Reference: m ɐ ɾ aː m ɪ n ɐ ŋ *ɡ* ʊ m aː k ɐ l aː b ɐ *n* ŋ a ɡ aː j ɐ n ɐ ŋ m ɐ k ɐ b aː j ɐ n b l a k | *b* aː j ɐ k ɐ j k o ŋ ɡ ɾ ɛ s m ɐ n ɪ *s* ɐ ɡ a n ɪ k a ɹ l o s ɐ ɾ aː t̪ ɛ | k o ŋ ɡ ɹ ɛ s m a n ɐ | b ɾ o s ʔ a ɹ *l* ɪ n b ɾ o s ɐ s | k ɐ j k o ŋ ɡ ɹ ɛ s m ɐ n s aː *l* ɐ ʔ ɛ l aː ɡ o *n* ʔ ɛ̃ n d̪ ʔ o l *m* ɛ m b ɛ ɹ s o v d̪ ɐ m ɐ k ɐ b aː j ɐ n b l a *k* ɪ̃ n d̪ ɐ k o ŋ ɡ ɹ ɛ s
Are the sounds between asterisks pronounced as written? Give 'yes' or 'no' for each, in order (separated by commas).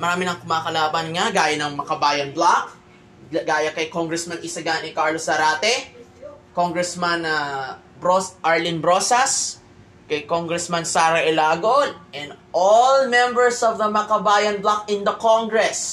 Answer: no, yes, no, yes, yes, no, yes, yes, yes